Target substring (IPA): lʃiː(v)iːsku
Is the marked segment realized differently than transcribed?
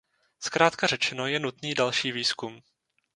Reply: no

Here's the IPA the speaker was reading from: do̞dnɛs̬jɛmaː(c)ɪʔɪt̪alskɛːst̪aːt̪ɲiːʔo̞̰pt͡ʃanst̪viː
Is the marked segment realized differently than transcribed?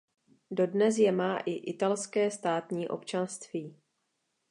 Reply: yes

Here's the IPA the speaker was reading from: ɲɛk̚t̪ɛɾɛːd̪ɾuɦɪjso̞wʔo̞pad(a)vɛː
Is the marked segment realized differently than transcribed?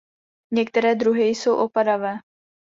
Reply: no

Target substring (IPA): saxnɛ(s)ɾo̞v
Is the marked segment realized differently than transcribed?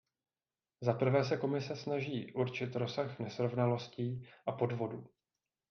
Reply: no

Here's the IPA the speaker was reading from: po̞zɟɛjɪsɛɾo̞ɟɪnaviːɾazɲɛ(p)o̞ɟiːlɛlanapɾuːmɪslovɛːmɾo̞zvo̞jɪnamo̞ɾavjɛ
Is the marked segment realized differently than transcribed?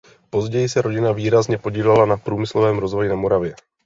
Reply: no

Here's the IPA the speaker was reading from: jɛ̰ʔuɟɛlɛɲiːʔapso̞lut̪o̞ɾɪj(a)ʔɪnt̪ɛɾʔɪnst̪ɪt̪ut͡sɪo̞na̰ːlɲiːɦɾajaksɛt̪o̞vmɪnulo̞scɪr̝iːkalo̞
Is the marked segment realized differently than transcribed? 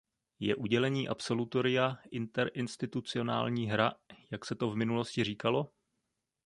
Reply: no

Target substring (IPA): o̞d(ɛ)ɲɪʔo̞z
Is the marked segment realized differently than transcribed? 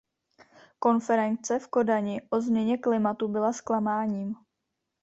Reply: yes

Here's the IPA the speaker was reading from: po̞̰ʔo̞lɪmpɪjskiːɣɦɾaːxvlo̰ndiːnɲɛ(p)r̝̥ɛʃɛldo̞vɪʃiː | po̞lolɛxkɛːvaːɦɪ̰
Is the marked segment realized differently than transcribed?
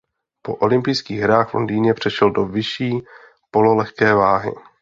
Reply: no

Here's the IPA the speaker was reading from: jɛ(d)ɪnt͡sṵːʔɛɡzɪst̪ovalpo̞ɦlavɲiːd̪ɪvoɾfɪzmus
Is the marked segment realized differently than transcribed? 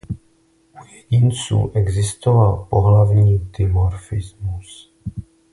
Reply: yes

